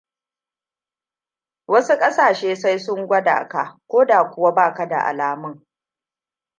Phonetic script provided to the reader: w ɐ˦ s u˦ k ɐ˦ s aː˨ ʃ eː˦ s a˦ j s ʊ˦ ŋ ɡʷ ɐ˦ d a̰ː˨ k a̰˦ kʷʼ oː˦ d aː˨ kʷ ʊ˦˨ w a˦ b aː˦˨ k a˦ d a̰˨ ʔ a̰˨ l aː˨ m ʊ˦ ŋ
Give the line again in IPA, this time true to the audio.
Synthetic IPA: w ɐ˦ s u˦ kʼ ɐ˦ s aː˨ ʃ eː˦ s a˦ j s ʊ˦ ŋ ɡʷ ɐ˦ d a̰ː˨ k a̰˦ kʷ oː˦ d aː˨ kʷ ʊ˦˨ w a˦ b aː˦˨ k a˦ d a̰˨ ʔ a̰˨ l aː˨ m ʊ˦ ŋ